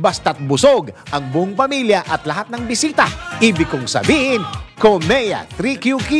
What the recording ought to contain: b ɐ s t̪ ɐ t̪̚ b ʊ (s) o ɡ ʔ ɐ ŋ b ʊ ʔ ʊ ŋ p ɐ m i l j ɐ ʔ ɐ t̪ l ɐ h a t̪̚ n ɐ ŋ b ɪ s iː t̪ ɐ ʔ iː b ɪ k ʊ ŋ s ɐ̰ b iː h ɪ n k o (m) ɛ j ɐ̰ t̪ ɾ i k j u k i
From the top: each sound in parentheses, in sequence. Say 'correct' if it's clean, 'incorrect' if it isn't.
correct, correct

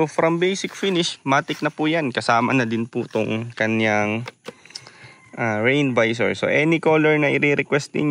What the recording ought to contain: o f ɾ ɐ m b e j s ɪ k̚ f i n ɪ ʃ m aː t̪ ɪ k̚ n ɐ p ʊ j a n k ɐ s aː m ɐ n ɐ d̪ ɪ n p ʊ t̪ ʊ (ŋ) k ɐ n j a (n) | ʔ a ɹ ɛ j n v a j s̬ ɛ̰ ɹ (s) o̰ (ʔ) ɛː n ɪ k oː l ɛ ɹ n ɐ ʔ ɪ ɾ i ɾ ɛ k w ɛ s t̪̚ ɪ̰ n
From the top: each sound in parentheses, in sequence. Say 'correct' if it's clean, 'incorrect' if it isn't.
correct, incorrect, correct, correct

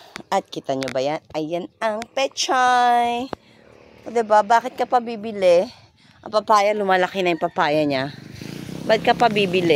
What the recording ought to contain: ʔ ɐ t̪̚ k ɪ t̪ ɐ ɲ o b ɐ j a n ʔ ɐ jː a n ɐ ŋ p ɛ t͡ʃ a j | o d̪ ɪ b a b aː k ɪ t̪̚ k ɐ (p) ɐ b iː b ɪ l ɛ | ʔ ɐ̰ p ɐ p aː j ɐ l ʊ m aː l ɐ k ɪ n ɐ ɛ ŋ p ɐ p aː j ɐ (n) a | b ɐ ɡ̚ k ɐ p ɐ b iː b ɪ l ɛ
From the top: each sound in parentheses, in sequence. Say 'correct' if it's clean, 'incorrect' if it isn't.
correct, incorrect

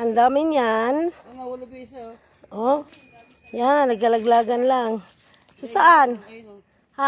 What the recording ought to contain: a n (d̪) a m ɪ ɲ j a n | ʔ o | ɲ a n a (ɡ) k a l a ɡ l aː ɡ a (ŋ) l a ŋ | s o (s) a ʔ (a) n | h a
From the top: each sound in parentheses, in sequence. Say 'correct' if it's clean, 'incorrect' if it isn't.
correct, correct, incorrect, correct, correct

